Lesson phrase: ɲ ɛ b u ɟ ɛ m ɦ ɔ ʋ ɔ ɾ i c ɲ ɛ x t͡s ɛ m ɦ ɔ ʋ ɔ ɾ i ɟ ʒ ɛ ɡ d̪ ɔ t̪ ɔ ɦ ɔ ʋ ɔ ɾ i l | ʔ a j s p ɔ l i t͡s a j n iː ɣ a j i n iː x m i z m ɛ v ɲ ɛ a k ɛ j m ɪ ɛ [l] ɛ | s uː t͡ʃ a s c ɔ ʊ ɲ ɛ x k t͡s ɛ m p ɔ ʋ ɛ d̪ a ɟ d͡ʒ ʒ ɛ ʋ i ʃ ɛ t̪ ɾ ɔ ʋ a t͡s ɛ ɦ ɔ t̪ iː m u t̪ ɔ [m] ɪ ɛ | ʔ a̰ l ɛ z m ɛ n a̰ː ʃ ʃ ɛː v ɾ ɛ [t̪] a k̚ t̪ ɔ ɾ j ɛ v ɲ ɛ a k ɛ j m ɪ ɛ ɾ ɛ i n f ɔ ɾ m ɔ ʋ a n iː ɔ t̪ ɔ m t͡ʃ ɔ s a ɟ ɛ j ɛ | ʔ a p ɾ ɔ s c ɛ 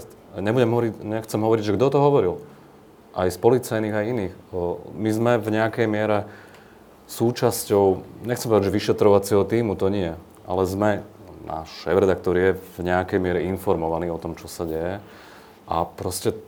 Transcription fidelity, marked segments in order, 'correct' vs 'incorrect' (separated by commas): incorrect, incorrect, incorrect